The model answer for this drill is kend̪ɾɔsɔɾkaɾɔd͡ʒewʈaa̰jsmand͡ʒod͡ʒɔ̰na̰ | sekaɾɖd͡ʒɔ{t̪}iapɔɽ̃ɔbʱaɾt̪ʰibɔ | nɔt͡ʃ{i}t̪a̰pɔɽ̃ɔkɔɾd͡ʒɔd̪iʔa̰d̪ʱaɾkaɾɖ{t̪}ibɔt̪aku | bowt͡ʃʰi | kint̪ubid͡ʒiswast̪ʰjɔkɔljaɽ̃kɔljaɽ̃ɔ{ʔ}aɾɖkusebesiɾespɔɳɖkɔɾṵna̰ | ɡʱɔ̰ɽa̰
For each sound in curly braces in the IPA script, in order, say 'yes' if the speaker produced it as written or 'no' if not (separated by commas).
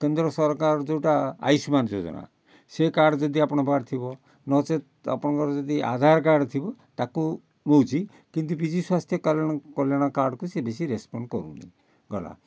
no, no, no, no